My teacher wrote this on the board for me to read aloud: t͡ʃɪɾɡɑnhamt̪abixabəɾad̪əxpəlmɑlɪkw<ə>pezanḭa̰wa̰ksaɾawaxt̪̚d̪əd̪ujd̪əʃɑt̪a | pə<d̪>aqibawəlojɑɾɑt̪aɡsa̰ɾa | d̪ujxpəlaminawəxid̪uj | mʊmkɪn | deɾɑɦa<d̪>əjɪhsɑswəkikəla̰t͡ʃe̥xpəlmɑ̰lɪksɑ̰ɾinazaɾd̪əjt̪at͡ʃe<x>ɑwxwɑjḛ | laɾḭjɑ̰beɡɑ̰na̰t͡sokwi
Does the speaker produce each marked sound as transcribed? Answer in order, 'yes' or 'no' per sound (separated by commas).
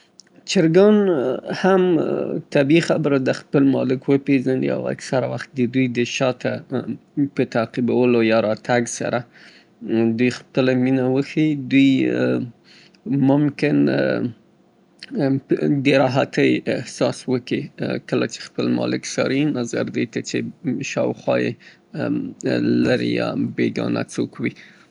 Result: yes, no, no, no